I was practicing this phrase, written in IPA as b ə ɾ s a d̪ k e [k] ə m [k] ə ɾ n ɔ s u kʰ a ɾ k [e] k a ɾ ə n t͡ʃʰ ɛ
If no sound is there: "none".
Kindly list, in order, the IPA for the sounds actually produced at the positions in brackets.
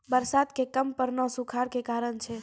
k, p, e

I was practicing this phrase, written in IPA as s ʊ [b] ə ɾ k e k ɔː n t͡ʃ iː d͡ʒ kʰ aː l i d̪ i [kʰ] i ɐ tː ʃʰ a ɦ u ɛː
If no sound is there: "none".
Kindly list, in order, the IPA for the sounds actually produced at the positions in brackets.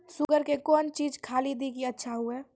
ɡ, k

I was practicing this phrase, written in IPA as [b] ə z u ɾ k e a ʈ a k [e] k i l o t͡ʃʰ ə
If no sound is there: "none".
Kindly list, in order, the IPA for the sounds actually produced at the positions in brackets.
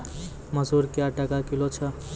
m, a

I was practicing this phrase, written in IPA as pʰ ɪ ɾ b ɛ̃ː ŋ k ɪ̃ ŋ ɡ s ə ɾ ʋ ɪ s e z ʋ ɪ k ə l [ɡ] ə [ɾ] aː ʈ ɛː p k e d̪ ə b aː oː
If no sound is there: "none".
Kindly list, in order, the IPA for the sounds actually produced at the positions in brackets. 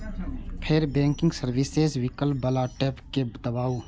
b, l

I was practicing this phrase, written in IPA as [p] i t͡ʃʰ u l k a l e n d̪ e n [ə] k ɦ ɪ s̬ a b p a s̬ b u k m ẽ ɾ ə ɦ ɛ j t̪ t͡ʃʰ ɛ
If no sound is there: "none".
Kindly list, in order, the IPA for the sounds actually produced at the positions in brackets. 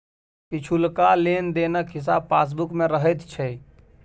p, ə

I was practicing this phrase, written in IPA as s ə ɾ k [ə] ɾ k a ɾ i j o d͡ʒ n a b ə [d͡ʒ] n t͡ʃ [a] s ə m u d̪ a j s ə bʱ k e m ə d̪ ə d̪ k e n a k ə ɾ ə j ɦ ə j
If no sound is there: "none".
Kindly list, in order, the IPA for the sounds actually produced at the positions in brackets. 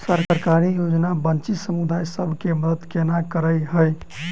ə, none, i

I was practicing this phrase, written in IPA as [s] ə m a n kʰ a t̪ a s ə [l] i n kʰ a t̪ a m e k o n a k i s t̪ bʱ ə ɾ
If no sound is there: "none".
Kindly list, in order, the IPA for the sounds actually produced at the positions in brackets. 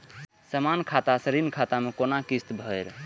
s, ɾ

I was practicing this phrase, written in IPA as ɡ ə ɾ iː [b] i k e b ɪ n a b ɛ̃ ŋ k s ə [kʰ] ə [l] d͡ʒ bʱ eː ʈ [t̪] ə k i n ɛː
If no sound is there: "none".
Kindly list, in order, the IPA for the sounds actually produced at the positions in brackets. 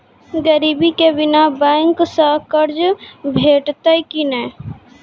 b, k, ɾ, t̪

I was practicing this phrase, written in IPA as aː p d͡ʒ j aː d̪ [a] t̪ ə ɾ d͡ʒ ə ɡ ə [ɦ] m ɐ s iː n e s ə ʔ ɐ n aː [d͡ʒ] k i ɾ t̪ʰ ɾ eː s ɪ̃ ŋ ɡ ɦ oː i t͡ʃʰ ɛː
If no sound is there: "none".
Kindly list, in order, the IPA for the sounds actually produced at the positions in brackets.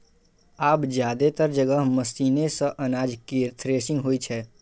e, ɦ, d͡ʒ

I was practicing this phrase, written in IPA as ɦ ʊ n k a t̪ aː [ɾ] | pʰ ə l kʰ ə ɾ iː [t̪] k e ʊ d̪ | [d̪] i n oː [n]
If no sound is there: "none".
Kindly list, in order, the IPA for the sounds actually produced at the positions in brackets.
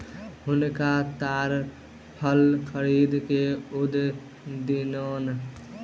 ɾ, d̪, d̪, n

